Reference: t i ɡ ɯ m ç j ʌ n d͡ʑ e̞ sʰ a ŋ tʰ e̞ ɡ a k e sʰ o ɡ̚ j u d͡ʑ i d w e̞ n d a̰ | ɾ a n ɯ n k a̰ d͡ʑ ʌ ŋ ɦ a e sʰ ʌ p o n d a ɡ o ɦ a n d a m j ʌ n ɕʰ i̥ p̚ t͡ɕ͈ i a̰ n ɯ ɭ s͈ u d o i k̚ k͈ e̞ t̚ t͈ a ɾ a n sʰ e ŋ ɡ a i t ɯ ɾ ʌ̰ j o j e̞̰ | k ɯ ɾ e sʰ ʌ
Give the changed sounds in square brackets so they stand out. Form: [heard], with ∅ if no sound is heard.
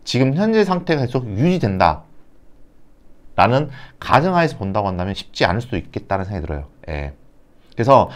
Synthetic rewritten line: [t͡ɕ] i ɡ ɯ m ç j ʌ n d͡ʑ e̞ sʰ a ŋ tʰ e̞ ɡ a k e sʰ o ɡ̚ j u d͡ʑ i d w e̞ n d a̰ | ɾ a n ɯ n k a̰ d͡ʑ ʌ ŋ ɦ a e sʰ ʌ p o n d a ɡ o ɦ a n d a m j ʌ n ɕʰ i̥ p̚ t͡ɕ͈ i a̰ n ɯ ɭ s͈ u d o i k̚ k͈ e̞ t̚ t͈ a ɾ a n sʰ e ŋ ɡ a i t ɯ ɾ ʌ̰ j o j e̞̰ | k ɯ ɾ e sʰ ʌ